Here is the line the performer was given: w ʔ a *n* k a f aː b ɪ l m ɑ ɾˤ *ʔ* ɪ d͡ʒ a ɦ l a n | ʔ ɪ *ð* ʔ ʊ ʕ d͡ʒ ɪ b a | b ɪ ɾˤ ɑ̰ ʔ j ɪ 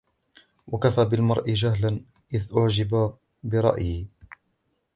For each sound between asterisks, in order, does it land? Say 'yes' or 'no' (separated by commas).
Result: no, yes, yes